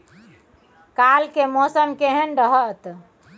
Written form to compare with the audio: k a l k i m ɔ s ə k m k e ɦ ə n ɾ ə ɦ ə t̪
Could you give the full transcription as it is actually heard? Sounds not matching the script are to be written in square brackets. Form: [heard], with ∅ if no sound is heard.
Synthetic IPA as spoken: k a l k [e] m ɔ s ə [∅] m k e ɦ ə n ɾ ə ɦ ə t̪